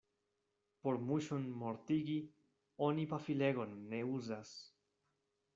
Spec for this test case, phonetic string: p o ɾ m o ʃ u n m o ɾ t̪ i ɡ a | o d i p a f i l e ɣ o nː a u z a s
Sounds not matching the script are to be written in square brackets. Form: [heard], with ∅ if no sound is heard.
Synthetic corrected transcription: p o ɾ m [u] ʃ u n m o ɾ t̪ i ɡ [i] | o [n] i p a f i l e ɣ o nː [e] u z a s